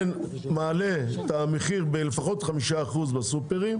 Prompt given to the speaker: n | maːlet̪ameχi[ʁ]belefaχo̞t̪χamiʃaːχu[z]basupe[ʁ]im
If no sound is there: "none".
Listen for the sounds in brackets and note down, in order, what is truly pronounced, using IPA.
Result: ʁ, z, ʁ

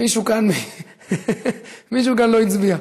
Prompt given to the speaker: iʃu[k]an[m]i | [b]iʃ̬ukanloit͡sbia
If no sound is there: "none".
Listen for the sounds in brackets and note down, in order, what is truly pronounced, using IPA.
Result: k, m, m

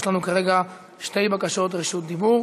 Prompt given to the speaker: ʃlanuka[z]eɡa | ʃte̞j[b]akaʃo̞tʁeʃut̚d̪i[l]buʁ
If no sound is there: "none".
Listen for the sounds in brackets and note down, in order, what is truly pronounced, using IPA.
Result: ʁ, b, none

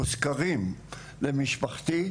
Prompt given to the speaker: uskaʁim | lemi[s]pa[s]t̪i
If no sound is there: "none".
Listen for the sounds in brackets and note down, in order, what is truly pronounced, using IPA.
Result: ʃ, χ

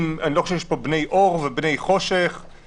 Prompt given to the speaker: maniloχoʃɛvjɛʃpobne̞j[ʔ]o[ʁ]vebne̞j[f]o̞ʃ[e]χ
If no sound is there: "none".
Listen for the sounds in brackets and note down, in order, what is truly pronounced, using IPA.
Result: ʔ, ʁ, χ, e

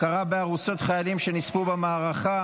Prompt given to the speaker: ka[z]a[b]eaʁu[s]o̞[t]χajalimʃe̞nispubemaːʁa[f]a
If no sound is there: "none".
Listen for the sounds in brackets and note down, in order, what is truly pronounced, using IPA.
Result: ʁ, b, s, t, χ

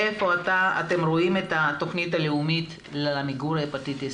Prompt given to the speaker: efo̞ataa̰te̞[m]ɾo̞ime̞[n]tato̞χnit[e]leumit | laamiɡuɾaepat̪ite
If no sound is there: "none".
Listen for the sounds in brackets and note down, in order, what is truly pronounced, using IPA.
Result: m, none, a

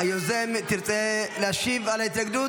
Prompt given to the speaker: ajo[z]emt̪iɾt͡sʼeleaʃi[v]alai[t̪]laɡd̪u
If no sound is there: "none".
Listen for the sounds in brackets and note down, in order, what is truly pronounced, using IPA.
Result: z, v, t̪

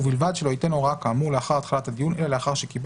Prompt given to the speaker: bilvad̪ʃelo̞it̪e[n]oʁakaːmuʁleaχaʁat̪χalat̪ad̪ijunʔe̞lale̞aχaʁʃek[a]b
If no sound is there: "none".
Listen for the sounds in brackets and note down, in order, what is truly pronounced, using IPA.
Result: n, i

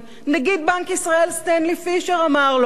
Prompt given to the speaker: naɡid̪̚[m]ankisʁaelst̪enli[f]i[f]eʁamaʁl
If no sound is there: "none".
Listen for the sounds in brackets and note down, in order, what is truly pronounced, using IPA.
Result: b, f, ʃ

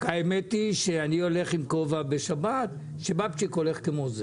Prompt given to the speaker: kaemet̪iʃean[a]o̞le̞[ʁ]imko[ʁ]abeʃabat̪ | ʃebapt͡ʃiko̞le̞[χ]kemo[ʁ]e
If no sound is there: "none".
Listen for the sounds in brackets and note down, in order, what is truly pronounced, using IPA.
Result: i, χ, v, χ, z

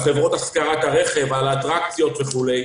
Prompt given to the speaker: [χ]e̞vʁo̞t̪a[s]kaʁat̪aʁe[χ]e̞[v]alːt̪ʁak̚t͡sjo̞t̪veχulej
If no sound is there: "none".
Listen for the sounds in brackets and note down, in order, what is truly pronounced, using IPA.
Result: χ, s, χ, v

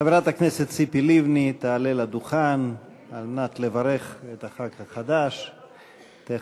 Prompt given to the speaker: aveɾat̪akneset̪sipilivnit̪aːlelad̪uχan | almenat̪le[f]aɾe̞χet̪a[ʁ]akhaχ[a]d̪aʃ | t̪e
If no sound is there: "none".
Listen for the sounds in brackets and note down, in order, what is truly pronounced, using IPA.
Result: v, χ, a

